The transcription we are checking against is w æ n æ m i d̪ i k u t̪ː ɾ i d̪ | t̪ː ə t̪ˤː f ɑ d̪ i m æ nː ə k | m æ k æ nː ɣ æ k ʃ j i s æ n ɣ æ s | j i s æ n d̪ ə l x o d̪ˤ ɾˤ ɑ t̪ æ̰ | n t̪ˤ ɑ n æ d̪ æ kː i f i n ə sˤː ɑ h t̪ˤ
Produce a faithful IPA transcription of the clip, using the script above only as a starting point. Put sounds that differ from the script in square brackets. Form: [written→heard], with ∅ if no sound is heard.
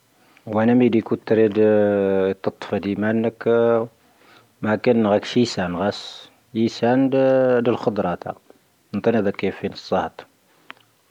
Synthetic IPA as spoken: w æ n æ m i d̪ i k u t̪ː ɾ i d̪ | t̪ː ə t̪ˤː f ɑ d̪ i m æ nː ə k | m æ k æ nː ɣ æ k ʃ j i s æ n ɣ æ s | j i s æ n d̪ ə l x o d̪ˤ ɾˤ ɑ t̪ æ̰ | n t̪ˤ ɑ n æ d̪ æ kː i f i n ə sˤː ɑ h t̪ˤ

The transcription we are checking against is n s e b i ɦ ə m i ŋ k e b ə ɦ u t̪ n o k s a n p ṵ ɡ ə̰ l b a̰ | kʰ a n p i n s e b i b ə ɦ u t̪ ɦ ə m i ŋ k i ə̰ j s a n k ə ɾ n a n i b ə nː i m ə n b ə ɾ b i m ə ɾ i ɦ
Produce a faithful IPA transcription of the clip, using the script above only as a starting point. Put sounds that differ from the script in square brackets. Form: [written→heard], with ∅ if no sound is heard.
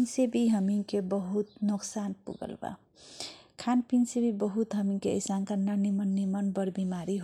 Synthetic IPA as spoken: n s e b i ɦ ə m i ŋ k e b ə ɦ u t̪ n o k s a n p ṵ ɡ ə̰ l b a̰ | kʰ a n p i n s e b i b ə ɦ u t̪ ɦ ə m i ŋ k [i→e] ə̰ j s a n k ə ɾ n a n i [b→m] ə nː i m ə n b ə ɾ b i m [ə→a] ɾ i ɦ

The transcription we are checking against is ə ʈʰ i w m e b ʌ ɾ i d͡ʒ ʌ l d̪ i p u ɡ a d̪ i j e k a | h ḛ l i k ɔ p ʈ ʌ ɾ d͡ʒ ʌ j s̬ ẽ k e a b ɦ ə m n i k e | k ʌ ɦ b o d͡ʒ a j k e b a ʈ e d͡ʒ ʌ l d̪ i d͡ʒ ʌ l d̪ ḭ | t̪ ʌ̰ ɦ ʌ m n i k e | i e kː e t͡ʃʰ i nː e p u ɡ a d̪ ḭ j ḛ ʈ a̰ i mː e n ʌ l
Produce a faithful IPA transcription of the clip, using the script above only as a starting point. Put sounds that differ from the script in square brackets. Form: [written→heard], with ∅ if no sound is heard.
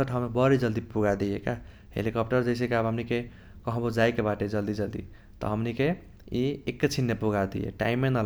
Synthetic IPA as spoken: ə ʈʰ [i→a] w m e b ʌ ɾ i d͡ʒ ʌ l d̪ i p u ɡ a d̪ i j e k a | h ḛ l i k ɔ p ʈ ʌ ɾ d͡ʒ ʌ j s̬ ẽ k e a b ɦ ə m n i k e | k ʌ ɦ b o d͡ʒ a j k e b a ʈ e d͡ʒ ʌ l d̪ i d͡ʒ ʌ l d̪ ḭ | t̪ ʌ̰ ɦ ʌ m n i k e | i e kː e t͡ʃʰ i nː e p u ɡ a d̪ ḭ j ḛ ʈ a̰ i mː e n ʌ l

